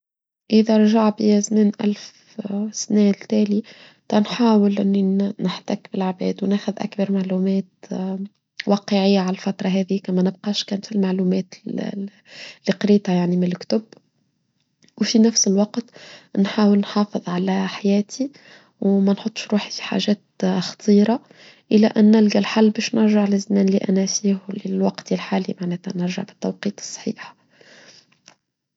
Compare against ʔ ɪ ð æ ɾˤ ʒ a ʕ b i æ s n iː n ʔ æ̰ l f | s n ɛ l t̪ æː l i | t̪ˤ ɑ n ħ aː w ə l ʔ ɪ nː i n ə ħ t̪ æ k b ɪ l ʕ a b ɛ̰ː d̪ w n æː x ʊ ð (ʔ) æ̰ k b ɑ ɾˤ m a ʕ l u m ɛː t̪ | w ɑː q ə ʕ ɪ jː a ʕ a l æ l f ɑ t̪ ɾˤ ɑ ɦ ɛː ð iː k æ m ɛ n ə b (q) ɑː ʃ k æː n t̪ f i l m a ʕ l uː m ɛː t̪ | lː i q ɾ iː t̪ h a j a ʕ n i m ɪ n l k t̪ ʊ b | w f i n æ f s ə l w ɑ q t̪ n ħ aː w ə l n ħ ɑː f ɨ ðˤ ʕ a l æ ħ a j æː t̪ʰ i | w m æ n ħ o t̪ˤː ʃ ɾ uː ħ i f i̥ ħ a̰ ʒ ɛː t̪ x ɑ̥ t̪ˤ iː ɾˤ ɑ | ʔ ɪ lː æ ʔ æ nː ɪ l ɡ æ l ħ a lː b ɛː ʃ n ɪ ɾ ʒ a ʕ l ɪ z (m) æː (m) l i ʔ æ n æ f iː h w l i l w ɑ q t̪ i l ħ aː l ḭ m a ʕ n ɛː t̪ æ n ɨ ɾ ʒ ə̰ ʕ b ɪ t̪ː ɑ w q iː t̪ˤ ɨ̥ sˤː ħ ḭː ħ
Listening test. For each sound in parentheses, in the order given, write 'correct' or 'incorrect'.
correct, correct, correct, incorrect: n

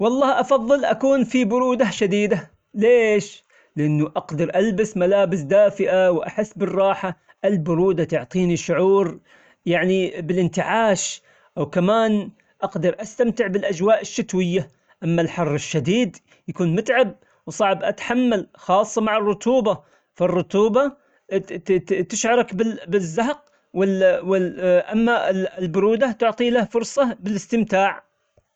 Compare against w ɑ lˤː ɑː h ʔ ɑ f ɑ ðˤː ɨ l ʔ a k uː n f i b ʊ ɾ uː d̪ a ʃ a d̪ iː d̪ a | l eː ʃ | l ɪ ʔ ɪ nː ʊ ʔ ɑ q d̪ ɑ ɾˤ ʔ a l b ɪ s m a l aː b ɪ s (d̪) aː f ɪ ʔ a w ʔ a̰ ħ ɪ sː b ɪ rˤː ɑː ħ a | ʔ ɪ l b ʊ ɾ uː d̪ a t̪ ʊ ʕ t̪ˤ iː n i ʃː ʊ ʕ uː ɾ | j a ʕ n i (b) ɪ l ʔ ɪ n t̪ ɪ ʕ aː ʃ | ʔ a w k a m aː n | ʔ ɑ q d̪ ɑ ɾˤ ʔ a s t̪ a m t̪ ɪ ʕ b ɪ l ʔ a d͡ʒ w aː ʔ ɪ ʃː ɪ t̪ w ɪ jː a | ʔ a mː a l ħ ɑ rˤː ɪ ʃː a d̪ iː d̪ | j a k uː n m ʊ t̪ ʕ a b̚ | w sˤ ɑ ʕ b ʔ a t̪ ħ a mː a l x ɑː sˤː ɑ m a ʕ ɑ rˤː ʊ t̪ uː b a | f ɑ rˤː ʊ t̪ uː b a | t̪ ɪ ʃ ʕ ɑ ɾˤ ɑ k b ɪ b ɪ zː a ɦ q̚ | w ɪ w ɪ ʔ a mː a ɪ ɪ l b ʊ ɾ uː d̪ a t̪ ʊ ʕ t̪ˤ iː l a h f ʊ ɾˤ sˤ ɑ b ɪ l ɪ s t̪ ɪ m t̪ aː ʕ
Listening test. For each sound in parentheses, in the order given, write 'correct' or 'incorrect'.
correct, correct

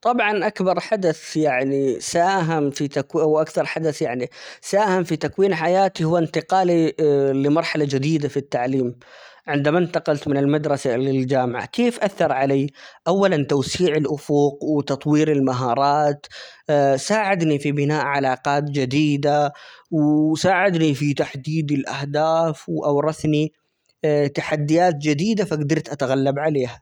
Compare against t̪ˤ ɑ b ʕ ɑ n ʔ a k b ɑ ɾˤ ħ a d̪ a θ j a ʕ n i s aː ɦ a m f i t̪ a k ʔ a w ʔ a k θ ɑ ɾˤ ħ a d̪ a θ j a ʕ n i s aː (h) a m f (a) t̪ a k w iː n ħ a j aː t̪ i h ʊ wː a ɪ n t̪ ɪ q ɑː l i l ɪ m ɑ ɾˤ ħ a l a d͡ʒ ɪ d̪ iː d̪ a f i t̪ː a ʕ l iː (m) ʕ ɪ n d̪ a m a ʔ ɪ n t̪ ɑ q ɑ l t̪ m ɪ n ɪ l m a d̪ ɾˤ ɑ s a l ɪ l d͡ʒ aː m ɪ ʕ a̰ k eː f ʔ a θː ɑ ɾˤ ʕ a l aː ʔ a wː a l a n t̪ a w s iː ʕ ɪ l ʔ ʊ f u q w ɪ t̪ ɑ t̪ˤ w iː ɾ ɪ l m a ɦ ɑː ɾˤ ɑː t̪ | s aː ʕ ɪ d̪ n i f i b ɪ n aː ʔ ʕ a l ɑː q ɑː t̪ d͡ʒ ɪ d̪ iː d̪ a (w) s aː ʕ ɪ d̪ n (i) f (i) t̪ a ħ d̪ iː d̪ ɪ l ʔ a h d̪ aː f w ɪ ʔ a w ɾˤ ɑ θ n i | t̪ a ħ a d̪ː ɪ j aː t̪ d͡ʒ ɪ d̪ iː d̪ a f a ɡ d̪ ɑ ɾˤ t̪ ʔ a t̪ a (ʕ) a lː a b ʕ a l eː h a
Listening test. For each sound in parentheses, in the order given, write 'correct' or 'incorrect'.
correct, incorrect: i, correct, correct, correct, correct, incorrect: ɣ

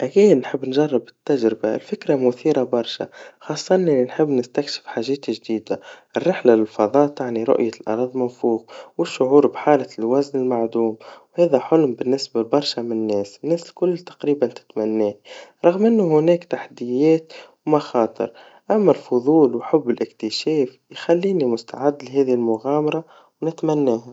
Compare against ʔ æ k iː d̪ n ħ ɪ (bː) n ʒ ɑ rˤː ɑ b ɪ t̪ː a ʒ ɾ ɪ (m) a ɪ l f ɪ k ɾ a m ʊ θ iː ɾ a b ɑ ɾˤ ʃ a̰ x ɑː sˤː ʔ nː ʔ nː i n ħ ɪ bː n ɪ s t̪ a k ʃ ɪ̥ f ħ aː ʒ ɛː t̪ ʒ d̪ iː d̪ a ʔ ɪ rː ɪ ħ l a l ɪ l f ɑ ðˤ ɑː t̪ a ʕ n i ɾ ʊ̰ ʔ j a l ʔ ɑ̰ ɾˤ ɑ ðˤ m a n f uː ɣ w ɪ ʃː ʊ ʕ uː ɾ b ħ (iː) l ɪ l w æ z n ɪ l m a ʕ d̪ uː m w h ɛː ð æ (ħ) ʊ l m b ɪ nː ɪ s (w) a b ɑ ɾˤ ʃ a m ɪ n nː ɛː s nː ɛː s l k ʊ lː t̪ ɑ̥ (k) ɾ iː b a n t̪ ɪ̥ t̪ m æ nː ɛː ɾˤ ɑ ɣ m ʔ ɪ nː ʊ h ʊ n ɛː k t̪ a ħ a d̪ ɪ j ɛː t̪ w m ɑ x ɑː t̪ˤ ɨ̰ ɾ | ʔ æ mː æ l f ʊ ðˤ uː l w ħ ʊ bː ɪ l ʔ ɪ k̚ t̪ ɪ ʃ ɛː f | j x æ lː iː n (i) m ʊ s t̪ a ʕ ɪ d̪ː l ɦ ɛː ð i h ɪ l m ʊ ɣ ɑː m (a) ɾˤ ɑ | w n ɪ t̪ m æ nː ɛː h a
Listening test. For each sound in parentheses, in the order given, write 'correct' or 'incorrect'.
correct, incorrect: b, incorrect: aː, correct, incorrect: b, incorrect: q, correct, incorrect: ɑ

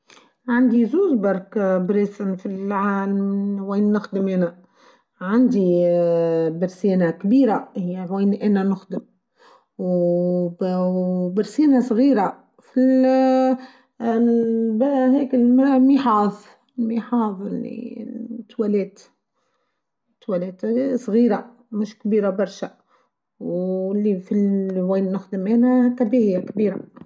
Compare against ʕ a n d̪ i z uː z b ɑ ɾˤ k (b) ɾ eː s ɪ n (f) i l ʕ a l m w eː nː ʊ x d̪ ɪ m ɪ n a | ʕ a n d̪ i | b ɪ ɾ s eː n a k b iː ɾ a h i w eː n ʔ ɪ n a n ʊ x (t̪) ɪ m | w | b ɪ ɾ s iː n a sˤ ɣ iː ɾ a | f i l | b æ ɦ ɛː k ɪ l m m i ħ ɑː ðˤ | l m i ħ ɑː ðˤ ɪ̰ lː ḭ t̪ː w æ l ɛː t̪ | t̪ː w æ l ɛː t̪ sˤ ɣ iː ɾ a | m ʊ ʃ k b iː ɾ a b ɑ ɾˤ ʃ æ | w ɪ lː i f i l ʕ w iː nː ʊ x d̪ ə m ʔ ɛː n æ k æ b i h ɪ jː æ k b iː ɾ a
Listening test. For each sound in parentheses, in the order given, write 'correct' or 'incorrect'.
correct, correct, incorrect: d̪

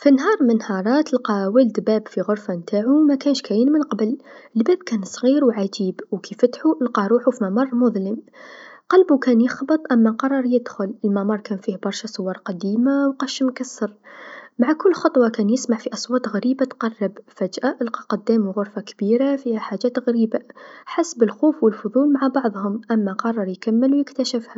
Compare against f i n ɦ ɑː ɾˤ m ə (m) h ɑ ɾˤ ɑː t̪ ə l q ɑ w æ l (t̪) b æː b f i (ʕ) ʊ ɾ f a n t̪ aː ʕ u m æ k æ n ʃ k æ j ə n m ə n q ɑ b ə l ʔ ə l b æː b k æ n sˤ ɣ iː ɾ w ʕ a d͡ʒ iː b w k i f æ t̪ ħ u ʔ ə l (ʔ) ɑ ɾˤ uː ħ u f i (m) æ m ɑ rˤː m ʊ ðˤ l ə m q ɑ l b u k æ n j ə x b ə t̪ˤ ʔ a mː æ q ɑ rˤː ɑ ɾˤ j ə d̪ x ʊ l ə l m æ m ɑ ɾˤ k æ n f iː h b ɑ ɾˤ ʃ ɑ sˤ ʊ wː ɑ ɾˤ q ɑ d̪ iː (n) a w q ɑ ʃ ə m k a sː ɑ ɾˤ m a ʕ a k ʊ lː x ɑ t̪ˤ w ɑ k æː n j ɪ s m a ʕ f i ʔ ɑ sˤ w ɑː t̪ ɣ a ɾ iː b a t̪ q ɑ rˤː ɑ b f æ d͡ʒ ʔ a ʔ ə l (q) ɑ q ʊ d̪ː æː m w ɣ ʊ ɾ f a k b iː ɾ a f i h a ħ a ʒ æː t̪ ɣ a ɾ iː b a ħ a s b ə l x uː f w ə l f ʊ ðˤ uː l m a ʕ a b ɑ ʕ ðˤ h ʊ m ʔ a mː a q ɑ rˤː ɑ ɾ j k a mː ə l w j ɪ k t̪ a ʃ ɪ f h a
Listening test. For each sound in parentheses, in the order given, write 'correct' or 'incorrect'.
incorrect: n, incorrect: d̪, incorrect: ɣ, incorrect: q, correct, incorrect: m, correct

